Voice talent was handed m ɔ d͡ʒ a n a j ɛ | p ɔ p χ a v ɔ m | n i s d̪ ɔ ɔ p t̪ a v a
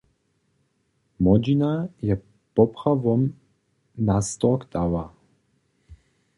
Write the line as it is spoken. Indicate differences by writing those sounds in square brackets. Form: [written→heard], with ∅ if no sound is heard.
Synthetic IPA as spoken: m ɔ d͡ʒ [a→i] n a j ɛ | p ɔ p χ a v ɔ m | n [i→a] s [d̪→t̪] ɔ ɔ [p→k] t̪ a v a